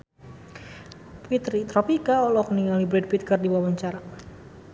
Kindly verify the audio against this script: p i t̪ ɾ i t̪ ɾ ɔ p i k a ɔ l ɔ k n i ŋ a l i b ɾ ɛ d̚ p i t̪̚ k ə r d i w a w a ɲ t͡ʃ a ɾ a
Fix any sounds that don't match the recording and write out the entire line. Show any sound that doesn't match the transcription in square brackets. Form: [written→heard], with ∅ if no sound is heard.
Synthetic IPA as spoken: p i t̪ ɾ i t̪ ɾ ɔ p i k a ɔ l ɔ k n i ŋ a l i b ɾ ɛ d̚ p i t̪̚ k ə r d i w a w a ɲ t͡ʃ a ɾ a